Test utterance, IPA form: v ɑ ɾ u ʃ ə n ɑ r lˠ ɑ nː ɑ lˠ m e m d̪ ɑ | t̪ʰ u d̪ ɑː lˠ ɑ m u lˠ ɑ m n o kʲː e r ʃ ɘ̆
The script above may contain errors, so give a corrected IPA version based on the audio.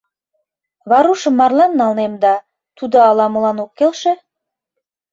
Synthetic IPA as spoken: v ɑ ɾ u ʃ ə m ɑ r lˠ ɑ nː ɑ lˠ n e m d̪ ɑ | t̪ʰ u d̪ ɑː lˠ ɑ m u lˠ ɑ n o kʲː e l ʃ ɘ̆

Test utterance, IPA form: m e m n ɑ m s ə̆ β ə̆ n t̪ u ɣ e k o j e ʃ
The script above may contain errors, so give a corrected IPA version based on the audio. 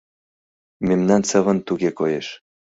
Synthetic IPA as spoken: m e m n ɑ n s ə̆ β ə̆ n t̪ u ɣ e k o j e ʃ

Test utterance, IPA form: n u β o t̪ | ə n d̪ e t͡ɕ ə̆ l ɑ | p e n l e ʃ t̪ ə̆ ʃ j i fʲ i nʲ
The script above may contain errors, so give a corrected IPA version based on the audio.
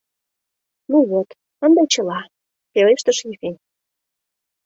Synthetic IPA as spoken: n u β o t̪ | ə n d̪ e t͡ɕ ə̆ l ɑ | p e l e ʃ t̪ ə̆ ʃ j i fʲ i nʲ

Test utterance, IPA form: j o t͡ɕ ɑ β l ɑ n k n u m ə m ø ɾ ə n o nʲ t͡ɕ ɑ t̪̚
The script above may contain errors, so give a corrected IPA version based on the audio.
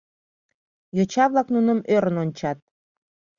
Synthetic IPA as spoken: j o t͡ɕ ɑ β l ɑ k n u n ə m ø ɾ ə n o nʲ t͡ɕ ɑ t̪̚

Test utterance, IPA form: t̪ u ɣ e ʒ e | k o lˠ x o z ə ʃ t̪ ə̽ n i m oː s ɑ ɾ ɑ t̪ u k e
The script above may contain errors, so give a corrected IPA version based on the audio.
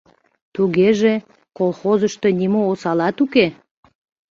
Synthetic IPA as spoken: t̪ u ɣ e ʒ e | k o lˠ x o z ə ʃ t̪ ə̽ n i m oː s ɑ l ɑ t̪ u k e

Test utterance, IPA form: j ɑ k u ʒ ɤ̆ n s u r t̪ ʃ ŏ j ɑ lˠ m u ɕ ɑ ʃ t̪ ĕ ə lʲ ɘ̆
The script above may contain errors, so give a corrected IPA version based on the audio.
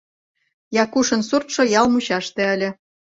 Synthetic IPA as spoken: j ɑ k u ʃ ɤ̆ n s u r t̪ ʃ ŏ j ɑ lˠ m u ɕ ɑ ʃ t̪ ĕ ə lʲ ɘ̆

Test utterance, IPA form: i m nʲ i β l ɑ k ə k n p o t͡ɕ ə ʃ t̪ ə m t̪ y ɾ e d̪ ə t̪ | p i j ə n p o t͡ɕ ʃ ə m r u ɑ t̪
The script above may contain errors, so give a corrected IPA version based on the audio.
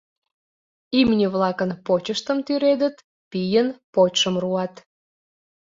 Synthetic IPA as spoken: i m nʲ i β l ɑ k ə n p o t͡ɕ ə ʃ t̪ ə m t̪ y ɾ e d̪ ə t̪ | p i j ə n p o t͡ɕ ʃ ə m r u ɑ t̪

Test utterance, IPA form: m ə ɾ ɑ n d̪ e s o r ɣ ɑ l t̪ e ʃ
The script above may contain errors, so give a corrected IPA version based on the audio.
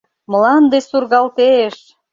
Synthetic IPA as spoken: m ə l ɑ n d̪ e s u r ɣ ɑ l t̪ e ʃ

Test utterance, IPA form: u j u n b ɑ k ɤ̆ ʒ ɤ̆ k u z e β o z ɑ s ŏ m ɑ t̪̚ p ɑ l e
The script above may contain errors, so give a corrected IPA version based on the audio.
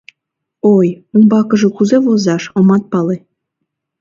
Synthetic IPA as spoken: o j u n b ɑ k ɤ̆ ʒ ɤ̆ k u z e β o z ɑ ʃ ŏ m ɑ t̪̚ p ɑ l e

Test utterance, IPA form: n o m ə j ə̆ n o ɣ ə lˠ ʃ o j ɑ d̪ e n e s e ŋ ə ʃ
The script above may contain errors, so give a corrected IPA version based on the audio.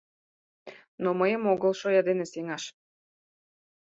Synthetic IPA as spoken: n o m ə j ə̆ m o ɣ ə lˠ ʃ o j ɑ d̪ e n e s e ŋ ɑ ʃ

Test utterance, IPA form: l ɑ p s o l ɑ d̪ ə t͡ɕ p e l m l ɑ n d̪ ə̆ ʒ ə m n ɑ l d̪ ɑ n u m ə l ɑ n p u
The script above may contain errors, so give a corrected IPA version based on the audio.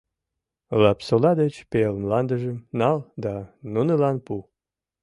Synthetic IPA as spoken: l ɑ p s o l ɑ d̪ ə t͡ɕ p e l m l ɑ n d̪ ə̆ ʒ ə m n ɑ l d̪ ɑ n u n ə l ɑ n p u

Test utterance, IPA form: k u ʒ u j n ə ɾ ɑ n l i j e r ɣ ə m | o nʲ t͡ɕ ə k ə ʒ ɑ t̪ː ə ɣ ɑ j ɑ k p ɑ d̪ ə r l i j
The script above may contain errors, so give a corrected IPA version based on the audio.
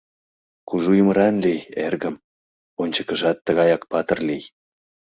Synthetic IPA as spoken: k u ʒ u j m ə ɾ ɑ n l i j e r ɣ ə m | o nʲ t͡ɕ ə k ə ʒ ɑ t̪ː ə ɣ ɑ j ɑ k p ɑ t̪ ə r l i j

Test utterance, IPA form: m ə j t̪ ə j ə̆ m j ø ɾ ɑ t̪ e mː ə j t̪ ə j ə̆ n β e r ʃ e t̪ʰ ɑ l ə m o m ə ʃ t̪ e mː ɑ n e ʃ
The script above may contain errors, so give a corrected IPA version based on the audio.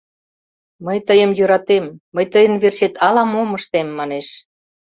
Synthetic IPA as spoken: m ə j t̪ ə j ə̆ m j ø ɾ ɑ t̪ e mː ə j t̪ ə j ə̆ n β e r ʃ e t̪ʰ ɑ l ɑ m o m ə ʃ t̪ e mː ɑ n e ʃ

